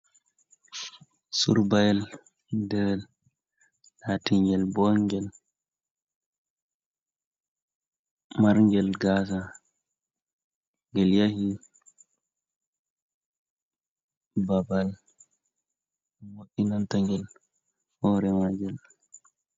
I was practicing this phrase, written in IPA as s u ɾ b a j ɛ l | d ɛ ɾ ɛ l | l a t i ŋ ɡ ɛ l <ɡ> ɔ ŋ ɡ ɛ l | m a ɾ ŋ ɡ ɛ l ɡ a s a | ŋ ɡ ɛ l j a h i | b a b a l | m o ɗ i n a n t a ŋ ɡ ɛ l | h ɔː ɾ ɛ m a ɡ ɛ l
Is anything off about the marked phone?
yes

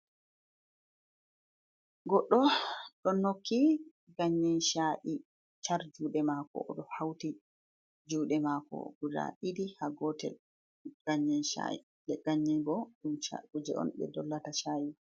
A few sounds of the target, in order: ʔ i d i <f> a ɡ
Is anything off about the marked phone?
yes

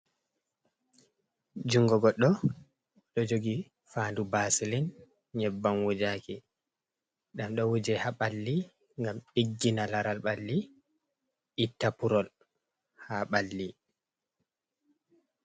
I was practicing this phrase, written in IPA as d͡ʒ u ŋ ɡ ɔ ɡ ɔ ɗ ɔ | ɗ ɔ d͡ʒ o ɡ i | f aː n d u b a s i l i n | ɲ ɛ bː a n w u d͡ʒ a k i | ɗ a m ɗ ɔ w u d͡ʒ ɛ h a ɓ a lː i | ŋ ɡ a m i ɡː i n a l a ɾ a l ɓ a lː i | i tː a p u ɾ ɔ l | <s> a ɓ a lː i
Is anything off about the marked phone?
yes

